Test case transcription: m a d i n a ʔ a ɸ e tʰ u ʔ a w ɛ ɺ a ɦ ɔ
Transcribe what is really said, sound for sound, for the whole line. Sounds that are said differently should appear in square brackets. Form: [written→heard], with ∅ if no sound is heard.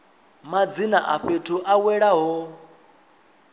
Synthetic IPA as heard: m a [d→d͡z] i n a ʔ a ɸ e tʰ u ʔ a w ɛ ɺ a ɦ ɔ